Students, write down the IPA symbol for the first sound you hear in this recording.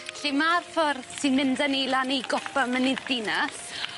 ɬ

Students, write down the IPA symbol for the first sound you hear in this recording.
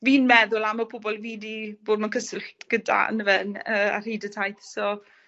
v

